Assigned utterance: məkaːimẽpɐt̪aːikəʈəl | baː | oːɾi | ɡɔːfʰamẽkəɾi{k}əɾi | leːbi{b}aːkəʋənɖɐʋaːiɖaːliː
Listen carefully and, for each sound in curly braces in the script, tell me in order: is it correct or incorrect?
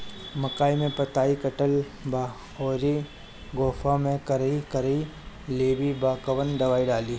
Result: correct, correct

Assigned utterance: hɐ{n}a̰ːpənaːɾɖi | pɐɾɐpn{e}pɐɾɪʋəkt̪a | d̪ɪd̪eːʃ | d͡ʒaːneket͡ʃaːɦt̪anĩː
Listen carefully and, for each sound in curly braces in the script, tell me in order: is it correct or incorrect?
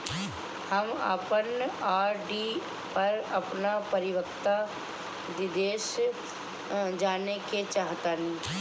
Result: incorrect: m, incorrect: a

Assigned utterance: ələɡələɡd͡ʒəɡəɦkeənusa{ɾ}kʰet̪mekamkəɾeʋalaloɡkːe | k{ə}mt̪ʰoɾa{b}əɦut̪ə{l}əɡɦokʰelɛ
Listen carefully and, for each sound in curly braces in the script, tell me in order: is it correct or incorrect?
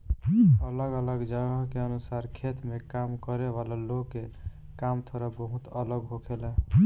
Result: correct, incorrect: a, correct, correct

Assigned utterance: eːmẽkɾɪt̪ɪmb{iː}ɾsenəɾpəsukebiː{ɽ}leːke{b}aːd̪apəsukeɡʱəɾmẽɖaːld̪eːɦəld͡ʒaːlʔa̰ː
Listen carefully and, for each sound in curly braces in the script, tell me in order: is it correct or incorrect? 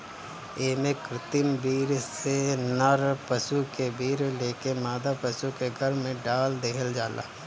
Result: correct, incorrect: ɾ, incorrect: m

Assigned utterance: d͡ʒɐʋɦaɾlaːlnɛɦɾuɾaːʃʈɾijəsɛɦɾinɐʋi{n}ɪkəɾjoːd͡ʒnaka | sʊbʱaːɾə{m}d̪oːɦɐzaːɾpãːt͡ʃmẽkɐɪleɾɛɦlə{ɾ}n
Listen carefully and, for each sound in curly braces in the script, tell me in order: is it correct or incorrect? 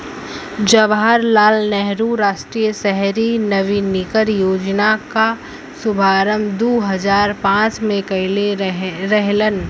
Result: correct, correct, incorrect: none

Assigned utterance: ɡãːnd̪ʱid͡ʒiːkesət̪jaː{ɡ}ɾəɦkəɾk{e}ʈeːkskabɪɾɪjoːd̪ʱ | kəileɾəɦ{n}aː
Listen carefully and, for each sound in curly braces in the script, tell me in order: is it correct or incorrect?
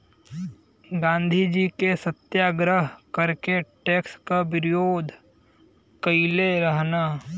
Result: correct, correct, correct

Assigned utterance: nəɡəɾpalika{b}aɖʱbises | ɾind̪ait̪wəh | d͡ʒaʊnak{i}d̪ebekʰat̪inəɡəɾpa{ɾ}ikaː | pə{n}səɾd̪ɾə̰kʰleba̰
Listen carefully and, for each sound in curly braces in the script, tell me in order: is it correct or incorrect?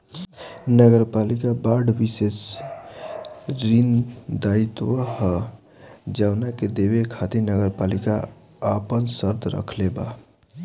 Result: correct, incorrect: e, incorrect: l, correct

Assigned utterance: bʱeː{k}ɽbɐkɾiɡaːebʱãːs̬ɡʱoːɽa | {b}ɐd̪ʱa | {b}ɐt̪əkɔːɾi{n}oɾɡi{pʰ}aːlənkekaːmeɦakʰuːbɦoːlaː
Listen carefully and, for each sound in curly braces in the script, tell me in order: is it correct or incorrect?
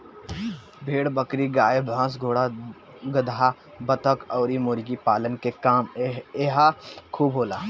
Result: incorrect: none, incorrect: ɡ, correct, incorrect: m, incorrect: p

